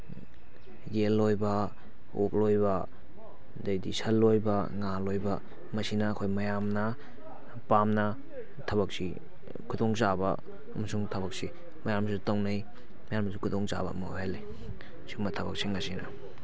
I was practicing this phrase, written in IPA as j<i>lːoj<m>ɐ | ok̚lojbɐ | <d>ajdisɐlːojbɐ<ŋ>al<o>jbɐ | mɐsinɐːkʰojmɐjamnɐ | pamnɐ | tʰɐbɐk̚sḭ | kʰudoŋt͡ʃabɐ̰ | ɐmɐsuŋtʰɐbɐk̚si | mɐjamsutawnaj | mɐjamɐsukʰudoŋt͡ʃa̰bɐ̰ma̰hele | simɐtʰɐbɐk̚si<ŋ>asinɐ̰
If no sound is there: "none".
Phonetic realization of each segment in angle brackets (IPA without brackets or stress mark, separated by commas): e, b, d, ŋ, o, ŋ